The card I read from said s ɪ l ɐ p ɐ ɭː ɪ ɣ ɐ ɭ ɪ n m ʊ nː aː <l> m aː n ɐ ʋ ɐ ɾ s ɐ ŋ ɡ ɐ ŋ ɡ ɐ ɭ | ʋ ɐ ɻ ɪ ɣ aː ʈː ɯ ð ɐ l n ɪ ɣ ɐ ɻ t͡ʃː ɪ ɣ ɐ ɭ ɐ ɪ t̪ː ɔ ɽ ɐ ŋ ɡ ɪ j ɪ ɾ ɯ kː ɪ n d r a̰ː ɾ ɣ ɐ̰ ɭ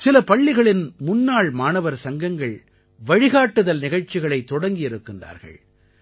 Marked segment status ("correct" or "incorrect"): incorrect